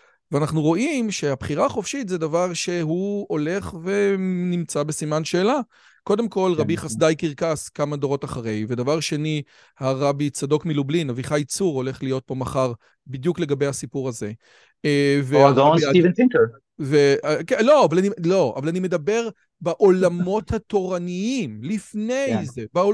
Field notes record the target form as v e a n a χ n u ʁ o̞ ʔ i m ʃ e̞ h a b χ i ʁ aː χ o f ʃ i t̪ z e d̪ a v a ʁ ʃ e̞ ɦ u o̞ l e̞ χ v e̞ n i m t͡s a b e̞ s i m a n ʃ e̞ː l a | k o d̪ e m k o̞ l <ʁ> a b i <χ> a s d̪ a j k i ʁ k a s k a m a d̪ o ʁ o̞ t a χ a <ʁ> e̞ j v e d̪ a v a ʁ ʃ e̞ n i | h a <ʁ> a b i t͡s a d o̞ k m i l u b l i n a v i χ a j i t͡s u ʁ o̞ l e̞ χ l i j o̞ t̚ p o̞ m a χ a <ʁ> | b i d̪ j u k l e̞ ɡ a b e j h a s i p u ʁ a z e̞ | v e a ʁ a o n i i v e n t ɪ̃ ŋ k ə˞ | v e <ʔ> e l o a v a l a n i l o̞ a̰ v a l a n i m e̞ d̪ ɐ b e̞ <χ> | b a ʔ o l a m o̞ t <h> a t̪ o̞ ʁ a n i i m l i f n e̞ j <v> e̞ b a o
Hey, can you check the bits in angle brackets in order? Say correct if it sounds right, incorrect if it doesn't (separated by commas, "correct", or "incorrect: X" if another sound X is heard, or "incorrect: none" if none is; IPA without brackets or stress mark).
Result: correct, correct, correct, correct, correct, incorrect: k, incorrect: ʁ, correct, incorrect: z